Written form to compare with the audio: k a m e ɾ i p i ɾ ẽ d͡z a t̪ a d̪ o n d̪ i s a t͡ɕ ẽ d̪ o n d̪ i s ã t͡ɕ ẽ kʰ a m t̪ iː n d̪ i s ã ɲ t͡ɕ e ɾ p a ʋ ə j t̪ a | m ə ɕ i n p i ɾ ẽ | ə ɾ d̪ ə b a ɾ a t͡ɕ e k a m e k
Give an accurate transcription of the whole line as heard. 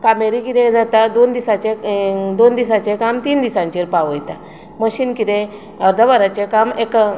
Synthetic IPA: k a m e ɾ i k i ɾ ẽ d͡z a t̪ a d̪ o n d̪ i s a t͡ɕ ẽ d̪ o n d̪ i s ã t͡ɕ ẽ k a m t̪ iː n d̪ i s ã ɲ t͡ɕ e ɾ p a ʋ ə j t̪ a | m ə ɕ i n k i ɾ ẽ | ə ɾ d̪ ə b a ɾ a t͡ɕ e k a m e k